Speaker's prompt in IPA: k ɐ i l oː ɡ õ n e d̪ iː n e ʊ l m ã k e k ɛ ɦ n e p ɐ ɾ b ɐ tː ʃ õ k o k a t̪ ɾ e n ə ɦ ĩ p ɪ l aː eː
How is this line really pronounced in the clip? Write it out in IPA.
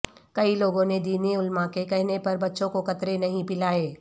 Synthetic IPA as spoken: k ɐ i l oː ɡ õ n e d̪ iː n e ʊ l m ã k e k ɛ ɦ n e p ɐ ɾ b ɐ tː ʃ õ k o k ɐ t̪ ɾ e n ɐ ɦ ĩ p ɪ l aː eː